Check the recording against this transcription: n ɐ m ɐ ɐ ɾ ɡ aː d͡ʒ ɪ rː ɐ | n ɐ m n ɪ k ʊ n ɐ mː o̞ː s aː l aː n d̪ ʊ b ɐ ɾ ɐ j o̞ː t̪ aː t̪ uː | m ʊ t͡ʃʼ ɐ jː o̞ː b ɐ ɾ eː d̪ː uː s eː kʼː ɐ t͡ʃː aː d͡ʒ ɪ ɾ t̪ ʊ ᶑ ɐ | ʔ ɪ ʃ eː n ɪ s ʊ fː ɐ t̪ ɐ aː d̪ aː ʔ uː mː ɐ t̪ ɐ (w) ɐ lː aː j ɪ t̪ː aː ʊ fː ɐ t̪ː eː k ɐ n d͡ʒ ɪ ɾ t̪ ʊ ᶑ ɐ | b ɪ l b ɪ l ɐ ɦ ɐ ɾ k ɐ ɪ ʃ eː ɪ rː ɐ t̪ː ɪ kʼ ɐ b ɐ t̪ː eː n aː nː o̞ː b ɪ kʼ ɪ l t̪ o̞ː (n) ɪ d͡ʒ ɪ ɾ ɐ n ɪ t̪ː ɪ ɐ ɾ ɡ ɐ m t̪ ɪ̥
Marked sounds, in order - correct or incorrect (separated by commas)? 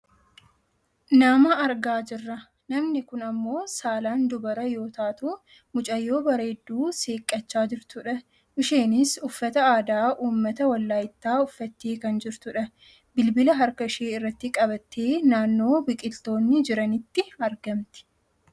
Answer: correct, incorrect